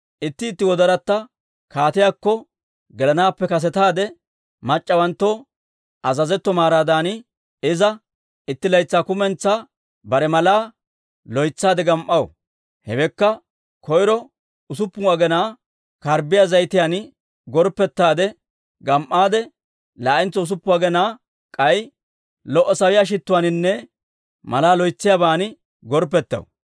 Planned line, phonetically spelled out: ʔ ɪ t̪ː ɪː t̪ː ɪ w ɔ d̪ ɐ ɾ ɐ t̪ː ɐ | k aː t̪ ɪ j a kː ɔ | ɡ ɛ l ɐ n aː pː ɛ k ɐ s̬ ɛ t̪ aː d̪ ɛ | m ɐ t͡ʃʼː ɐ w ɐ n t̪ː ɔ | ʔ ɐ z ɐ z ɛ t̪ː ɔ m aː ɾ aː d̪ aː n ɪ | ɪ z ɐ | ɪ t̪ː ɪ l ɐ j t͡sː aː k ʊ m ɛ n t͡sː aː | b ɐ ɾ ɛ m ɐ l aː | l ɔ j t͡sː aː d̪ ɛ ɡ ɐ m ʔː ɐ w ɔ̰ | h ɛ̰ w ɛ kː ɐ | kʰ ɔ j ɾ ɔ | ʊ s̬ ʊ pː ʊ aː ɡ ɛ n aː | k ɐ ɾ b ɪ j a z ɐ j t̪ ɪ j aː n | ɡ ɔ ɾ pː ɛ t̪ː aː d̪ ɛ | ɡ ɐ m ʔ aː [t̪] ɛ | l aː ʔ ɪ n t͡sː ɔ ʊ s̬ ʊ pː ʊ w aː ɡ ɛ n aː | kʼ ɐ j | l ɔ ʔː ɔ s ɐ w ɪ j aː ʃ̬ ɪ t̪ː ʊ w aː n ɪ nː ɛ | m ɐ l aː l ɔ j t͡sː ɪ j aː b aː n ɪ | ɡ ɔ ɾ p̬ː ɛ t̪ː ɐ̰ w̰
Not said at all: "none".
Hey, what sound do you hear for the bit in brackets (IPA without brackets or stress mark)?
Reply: d̪